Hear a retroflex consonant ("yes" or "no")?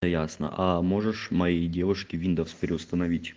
yes